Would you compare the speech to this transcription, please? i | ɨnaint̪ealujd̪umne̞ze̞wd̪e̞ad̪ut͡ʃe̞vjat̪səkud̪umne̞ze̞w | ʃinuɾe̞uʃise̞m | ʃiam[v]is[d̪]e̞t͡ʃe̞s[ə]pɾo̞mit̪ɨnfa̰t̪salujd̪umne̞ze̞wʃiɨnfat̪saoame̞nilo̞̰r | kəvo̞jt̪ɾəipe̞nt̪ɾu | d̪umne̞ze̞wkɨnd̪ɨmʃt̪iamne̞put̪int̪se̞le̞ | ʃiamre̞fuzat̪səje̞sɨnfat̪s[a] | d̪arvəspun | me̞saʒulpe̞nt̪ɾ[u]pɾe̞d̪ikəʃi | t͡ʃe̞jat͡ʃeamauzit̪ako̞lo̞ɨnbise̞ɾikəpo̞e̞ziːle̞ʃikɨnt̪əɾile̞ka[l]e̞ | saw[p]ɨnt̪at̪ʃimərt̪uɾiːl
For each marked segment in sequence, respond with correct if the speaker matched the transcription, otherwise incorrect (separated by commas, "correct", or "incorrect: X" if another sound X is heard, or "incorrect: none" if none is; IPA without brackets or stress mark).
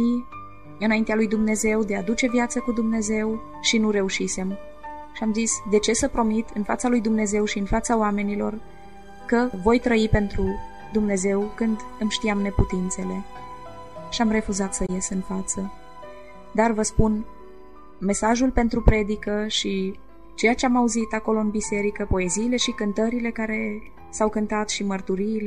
incorrect: z, correct, correct, incorrect: ə, correct, incorrect: ɾ, incorrect: k